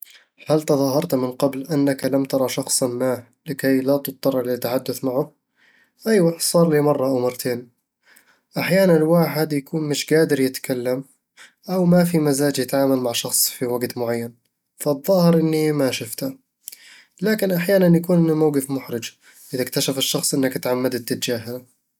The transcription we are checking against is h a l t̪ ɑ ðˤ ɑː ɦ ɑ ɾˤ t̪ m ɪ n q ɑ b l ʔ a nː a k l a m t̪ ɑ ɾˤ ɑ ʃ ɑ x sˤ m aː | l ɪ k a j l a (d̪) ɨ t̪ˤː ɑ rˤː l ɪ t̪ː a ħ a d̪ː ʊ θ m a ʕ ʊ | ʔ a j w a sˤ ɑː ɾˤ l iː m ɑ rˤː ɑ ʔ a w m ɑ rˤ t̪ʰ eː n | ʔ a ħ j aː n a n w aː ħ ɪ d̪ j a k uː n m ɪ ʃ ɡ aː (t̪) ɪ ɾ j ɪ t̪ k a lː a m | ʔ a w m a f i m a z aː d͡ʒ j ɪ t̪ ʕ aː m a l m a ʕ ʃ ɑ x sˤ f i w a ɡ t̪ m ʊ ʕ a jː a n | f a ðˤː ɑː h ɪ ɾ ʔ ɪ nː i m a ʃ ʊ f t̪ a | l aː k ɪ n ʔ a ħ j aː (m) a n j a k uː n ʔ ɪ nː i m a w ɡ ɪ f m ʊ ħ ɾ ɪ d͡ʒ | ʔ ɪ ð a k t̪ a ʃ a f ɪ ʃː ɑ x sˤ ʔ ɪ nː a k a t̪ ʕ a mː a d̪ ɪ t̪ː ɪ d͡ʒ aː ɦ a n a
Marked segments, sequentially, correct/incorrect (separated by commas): incorrect, incorrect, incorrect